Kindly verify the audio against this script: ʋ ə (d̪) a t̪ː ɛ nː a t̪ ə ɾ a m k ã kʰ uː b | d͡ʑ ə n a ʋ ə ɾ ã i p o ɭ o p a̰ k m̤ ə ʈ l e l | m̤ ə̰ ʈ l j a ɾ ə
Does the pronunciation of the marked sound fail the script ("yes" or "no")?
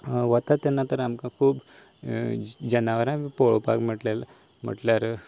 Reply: yes